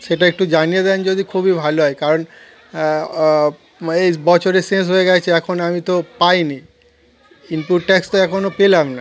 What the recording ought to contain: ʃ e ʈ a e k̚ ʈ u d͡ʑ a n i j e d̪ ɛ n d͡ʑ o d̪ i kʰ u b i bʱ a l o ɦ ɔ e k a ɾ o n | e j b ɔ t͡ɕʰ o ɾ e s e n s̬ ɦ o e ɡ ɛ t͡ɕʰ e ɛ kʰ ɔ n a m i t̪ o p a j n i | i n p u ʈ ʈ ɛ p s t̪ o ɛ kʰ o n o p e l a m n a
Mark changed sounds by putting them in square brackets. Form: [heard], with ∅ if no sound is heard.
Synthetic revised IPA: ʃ e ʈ a e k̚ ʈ u d͡ʑ a n i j e d̪ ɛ n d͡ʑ o d̪ i kʰ u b i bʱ a l o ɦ ɔ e k a ɾ o n | e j b ɔ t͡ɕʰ o ɾ e s e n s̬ ɦ o e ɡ ɛ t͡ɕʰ e ɛ kʰ [o] n a m i t̪ o p a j n i | i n p u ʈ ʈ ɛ [k] s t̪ o ɛ kʰ o n o p e l a m n a